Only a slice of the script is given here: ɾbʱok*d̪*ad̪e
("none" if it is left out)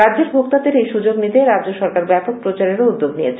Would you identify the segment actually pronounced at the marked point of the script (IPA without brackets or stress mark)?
t̪